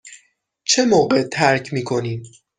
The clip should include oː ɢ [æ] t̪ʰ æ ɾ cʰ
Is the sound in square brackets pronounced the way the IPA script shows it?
no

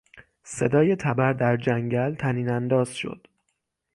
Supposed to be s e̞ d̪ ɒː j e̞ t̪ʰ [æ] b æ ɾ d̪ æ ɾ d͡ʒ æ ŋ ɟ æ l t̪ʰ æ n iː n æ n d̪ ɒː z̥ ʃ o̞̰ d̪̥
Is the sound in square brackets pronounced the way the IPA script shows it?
yes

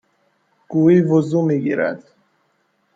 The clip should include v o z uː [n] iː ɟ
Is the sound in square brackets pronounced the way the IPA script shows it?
no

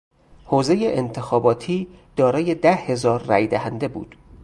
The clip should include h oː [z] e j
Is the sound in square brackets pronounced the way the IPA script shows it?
yes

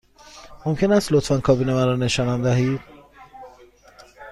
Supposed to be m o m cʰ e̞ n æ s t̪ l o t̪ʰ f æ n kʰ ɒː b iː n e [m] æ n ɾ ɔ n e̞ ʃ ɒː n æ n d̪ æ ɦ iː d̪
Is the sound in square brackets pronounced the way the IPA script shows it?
yes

